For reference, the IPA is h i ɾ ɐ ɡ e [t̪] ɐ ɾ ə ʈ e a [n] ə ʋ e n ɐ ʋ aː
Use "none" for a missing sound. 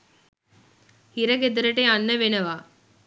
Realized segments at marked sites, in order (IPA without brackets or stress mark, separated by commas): d̪, nː